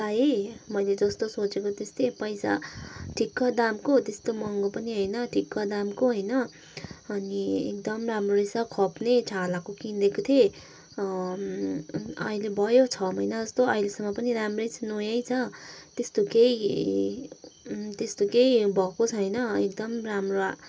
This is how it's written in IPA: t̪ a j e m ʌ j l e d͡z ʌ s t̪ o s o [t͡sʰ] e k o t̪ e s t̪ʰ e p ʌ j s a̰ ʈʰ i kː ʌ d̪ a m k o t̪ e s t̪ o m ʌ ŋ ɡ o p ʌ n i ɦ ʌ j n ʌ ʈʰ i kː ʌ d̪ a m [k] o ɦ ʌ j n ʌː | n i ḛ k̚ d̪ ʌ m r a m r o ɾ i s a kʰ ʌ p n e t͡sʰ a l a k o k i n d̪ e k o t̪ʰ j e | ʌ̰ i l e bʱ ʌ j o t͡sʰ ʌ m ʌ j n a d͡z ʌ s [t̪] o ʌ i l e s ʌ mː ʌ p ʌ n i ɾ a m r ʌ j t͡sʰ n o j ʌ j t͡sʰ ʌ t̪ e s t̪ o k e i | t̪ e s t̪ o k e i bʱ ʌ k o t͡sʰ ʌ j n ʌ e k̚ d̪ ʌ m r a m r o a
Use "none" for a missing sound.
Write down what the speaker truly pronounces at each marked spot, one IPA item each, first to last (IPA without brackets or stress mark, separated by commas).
t͡s, k, t̪